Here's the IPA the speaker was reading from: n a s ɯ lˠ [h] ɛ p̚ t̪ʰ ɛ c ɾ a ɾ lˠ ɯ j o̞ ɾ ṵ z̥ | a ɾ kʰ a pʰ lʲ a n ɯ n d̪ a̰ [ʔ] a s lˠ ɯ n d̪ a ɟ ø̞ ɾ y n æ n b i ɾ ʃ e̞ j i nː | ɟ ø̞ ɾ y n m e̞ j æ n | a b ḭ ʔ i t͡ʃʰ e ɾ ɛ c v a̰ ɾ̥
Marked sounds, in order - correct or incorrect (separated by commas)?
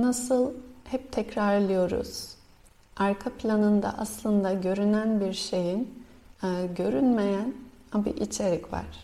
correct, correct